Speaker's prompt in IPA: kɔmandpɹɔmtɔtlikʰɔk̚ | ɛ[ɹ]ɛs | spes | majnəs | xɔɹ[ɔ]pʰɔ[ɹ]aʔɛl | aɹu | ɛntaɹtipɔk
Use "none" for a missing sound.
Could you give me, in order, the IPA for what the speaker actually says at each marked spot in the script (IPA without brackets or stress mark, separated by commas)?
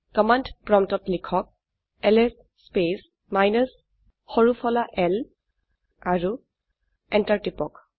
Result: l, u, l